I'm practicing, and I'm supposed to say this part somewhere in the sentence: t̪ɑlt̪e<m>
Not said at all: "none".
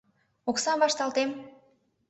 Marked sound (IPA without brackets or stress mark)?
m